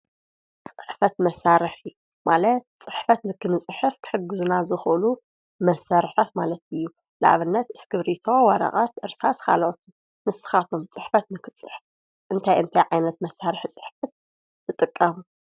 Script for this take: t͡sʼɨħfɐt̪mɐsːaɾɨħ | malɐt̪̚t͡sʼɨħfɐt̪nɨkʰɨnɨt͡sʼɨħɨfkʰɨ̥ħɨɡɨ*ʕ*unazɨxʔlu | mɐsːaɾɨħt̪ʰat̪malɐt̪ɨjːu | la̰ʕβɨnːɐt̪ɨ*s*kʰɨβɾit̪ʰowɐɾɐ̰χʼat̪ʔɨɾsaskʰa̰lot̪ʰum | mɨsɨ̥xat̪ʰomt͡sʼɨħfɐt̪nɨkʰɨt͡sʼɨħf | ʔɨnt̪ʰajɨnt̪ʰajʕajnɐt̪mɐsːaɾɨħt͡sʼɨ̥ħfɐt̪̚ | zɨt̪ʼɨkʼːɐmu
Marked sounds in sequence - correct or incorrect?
incorrect: z, correct

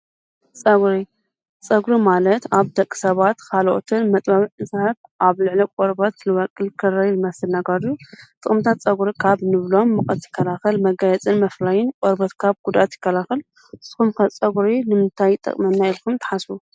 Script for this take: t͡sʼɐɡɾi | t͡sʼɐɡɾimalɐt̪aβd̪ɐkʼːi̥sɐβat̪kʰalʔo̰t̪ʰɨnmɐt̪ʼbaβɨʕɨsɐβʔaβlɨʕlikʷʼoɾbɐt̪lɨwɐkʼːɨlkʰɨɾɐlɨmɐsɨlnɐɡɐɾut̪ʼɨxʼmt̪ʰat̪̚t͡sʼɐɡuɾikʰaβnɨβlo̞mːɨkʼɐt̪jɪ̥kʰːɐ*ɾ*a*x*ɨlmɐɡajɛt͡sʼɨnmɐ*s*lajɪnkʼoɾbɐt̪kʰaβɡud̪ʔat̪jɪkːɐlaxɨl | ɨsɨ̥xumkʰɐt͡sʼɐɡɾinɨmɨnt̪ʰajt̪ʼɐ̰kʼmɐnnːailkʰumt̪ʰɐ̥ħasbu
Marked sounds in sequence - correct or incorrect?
incorrect: l, correct, incorrect: f

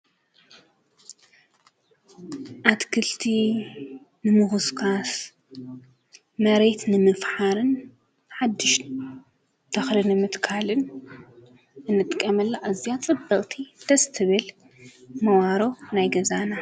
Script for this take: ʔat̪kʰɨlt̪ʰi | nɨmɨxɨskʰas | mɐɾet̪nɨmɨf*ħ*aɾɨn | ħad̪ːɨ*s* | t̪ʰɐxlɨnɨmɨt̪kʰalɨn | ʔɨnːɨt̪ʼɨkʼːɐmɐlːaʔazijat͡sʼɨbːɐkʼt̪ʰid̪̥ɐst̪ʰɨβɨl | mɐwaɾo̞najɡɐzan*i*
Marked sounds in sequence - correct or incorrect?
correct, incorrect: ʃ, incorrect: a

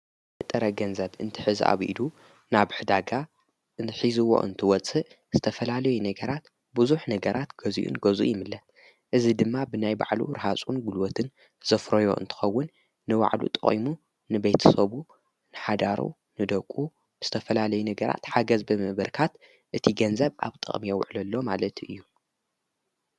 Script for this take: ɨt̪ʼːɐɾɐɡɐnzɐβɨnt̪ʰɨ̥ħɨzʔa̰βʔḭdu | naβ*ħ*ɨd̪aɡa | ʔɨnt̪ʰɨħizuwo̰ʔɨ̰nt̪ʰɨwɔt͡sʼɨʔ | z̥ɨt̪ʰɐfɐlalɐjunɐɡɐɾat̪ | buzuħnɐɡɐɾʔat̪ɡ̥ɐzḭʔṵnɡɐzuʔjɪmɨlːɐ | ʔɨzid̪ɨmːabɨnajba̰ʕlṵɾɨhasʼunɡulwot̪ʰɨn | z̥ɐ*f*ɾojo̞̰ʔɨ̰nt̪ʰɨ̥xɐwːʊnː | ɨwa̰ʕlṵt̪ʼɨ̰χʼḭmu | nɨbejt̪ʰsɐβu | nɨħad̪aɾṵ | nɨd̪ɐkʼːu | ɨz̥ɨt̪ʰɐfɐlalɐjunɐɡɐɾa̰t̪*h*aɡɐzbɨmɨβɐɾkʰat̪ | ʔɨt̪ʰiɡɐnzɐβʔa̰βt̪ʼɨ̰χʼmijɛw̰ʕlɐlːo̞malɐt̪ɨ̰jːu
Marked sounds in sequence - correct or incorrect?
correct, correct, incorrect: ħ

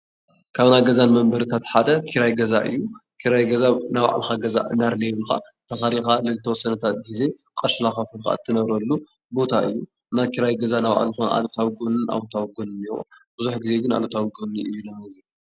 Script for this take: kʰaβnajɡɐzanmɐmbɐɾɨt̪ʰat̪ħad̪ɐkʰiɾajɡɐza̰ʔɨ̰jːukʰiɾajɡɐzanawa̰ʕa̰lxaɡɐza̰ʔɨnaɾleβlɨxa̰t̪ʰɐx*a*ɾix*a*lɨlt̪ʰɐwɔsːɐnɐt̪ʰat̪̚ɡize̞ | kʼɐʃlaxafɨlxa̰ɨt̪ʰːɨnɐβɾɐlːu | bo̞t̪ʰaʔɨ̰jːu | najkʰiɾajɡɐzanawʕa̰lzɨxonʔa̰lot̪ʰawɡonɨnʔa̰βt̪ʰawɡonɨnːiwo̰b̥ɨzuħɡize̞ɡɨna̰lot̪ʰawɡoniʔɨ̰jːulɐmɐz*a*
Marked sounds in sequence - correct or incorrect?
correct, correct, incorrect: i

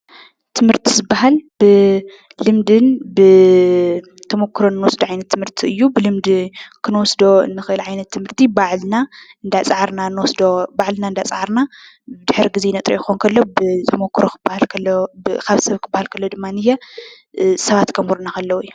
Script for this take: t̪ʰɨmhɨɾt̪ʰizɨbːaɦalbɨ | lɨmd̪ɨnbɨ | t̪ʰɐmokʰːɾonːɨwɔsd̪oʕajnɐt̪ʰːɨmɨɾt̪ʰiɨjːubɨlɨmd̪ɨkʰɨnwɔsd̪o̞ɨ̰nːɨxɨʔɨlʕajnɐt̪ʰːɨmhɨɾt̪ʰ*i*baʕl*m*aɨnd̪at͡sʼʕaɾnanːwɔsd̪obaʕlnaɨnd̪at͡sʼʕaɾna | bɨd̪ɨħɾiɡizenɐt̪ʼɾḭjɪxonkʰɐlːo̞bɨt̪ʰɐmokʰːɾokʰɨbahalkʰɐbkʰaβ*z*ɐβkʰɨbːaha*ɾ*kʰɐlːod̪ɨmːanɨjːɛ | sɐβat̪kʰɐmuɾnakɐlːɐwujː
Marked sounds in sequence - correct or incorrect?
correct, incorrect: n, incorrect: s, incorrect: l

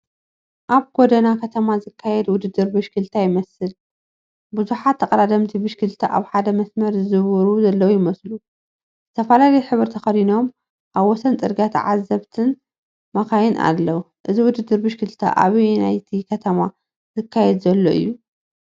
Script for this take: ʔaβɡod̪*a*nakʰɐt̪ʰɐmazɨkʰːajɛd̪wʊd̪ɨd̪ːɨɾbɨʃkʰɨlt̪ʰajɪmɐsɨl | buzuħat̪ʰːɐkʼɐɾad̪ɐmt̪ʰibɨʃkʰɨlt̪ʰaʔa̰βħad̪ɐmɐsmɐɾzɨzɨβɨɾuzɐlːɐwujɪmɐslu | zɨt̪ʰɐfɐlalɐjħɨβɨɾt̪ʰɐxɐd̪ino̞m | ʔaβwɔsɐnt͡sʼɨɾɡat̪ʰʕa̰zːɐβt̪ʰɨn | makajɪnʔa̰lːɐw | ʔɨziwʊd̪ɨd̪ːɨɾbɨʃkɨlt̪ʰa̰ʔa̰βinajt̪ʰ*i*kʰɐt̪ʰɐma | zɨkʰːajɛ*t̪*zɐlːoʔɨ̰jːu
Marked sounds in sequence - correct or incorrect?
incorrect: ɐ, correct, incorrect: d̪

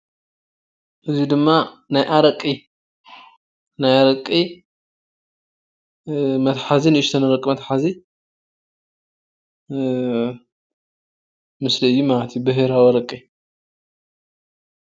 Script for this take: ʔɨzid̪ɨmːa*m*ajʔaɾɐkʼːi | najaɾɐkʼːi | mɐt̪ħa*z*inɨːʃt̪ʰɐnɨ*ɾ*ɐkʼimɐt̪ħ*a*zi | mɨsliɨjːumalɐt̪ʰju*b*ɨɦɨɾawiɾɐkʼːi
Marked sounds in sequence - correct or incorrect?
incorrect: n, correct, correct, correct, correct

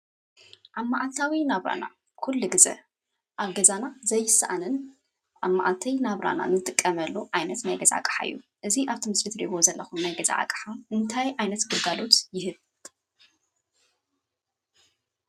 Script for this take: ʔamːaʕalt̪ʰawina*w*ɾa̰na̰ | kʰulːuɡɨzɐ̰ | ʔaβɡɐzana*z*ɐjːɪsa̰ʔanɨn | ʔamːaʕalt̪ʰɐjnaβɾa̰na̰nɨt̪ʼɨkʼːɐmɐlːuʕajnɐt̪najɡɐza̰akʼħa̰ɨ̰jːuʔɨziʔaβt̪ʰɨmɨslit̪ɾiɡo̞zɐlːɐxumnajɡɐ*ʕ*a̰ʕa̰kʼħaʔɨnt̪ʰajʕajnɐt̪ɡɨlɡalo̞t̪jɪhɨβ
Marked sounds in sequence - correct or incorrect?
incorrect: β, correct, incorrect: z

